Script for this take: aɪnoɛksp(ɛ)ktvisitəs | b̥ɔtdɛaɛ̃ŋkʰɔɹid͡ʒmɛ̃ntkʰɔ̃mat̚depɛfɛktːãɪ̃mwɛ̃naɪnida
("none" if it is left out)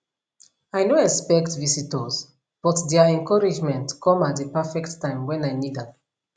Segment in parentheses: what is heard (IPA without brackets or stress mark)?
ɛ